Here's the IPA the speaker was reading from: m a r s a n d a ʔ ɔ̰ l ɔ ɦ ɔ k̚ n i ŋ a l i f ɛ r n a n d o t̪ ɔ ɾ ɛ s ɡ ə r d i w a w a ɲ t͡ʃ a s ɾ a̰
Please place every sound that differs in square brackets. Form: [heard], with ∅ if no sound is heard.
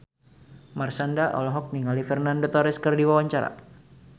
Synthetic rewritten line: m a r s a n d a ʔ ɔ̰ l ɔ ɦ ɔ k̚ n i ŋ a l i f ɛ r n a n d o t̪ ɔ ɾ ɛ s [k] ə r d i w a w a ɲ t͡ʃ a [∅] ɾ a̰